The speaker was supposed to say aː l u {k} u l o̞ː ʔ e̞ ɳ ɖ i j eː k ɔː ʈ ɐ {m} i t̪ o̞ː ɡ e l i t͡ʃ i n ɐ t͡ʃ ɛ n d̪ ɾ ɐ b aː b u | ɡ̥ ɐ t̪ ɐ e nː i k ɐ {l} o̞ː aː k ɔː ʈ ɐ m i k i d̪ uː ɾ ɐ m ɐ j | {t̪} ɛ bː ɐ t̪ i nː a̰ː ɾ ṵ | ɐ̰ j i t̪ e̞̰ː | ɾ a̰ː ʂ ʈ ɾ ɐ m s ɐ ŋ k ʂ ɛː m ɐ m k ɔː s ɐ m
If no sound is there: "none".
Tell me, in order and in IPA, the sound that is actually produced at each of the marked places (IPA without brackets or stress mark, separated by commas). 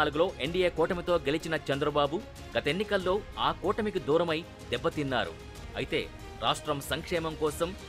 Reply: ɡ, m, lː, d̪